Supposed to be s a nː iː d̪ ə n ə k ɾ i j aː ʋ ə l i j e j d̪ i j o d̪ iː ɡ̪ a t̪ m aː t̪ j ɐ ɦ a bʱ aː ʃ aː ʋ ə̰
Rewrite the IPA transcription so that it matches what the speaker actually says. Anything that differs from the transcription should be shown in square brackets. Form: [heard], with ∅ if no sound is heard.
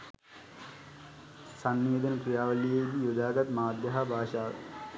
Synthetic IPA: s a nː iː d̪ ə n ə k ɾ i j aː ʋ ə l i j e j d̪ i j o d̪ [aː] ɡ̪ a t̪ m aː [d̪] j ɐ ɦ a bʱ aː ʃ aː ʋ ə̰

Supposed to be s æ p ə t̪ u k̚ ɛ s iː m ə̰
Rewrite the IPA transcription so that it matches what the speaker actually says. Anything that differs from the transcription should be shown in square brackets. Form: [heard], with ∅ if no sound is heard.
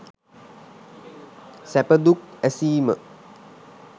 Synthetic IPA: s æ p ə [d̪] u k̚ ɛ s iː m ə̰

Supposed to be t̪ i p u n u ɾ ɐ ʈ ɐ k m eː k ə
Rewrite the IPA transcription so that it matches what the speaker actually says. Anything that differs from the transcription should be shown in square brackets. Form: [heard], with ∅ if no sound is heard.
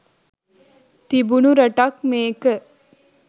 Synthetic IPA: t̪ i [b] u n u ɾ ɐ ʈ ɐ k m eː k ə

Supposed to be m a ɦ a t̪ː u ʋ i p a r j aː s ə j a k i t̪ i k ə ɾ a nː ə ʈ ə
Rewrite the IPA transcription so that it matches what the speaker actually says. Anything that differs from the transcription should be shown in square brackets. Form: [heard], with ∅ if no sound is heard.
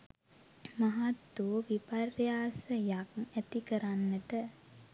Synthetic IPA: m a ɦ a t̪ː u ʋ i p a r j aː s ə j a k [æ] t̪ i k ə ɾ a nː ə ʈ ə

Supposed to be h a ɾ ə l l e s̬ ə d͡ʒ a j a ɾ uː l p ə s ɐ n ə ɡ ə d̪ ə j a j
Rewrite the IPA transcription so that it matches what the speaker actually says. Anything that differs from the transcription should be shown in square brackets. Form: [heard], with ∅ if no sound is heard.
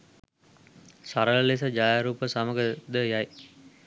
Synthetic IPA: [s] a ɾ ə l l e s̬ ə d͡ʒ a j a ɾ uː [∅] p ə s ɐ [m] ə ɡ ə d̪ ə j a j

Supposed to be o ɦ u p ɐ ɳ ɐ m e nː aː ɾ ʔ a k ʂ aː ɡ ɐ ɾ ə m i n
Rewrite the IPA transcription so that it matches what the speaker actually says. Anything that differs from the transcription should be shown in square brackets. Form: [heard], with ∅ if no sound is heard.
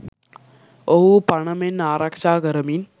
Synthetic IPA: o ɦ u p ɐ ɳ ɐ m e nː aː ɾ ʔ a k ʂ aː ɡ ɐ ɾ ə m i n

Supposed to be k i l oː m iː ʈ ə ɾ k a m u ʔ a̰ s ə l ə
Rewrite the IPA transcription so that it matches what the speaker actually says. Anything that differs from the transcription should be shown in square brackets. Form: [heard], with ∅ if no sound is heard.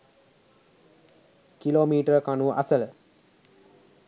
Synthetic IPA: k i l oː m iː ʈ ə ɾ k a [n] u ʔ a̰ s ə l ə

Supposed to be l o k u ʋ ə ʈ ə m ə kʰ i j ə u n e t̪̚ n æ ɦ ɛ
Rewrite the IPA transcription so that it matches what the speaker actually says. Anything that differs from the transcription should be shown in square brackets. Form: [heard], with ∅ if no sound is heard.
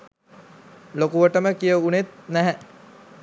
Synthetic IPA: l o k u ʋ ə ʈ ə m ə [k] i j ə u n e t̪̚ n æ ɦ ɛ

